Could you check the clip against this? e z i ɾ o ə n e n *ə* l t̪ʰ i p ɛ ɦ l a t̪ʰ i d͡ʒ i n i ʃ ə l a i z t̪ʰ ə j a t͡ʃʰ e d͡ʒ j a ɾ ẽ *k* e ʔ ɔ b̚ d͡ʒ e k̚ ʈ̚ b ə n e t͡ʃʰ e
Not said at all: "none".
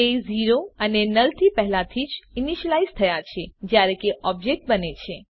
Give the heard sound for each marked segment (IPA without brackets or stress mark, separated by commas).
ə, k